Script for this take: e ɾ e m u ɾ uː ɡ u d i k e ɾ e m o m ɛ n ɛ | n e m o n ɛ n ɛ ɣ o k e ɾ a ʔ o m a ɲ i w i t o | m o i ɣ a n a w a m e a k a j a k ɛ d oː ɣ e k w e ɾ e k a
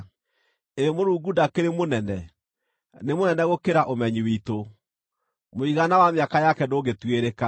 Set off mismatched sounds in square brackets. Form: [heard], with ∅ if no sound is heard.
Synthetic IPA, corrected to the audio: e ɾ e m [o] ɾ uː ɡ u d [a] k e ɾ e m o [n] ɛ n ɛ | n e m o n ɛ n ɛ ɣ o k e ɾ a ʔ o m [ɛ] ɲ i w i t o | m o i ɣ a n a w a m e a k a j a k ɛ d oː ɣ e [t] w e ɾ e k a